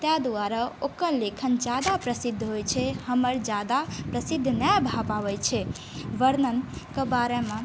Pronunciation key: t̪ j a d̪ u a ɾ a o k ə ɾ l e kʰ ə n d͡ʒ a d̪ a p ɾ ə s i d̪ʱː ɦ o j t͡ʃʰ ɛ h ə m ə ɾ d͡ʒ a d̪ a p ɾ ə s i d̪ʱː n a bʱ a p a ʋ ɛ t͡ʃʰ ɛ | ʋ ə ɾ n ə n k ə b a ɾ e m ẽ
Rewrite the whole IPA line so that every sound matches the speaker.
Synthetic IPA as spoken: t̪ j a d̪ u a ɾ a o k ə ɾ l e kʰ ə n d͡ʒ a d̪ a p ɾ ə s i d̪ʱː ɦ o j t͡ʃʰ ɛ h ə m ə ɾ d͡ʒ a d̪ a p ɾ ə s i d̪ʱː n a bʱ a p a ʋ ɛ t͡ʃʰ ɛ | ʋ ə ɾ n ə n k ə b a ɾ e m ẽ